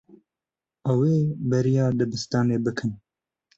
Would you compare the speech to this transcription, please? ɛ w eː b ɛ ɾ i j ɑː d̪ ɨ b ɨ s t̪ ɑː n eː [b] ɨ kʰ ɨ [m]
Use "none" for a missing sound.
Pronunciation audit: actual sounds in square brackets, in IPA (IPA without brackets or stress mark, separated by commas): b, n